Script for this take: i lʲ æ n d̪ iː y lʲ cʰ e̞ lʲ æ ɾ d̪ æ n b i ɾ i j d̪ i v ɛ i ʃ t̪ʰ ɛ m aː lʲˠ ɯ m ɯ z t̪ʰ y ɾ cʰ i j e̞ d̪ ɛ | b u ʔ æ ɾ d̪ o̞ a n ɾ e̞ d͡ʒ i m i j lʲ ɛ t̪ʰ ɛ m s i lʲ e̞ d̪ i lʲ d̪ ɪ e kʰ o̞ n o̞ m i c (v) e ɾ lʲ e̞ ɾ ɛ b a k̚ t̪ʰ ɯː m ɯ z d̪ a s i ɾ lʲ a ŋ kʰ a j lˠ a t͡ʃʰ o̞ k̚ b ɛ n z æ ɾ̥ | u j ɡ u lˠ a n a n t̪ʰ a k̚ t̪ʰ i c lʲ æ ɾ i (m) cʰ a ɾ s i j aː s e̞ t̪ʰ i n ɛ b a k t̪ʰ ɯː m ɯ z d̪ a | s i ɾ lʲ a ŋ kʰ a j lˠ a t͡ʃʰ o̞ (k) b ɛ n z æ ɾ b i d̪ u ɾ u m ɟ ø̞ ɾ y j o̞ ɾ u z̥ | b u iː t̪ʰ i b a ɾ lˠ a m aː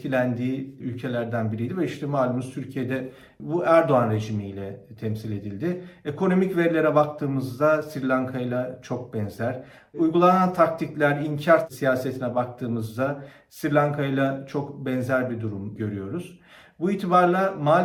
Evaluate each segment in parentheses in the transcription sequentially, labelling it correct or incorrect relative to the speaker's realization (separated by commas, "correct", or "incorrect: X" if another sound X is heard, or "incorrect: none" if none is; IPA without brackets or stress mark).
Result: correct, incorrect: ɲ, correct